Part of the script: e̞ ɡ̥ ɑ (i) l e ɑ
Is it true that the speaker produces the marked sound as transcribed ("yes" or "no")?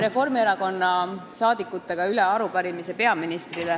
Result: no